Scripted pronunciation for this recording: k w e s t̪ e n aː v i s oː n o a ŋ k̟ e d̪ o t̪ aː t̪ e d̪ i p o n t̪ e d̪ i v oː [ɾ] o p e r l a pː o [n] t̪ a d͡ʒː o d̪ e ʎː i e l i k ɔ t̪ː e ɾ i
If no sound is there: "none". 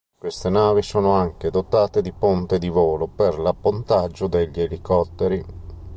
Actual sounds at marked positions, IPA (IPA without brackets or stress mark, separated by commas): l, n